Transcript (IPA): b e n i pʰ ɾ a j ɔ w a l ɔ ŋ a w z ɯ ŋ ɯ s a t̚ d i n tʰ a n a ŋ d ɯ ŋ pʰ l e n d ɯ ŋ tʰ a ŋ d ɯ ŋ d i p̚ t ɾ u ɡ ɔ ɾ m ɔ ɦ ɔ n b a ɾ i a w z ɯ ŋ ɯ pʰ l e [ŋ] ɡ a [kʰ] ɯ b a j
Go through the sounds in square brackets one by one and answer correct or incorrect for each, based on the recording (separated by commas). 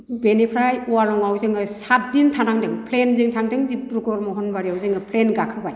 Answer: incorrect, correct